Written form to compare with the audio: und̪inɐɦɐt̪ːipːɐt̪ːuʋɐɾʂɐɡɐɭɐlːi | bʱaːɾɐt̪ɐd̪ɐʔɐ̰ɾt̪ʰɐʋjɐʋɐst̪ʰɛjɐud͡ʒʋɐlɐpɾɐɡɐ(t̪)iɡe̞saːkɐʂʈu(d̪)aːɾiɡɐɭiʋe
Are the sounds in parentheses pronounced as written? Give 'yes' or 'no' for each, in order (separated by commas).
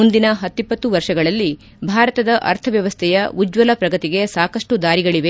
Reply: yes, yes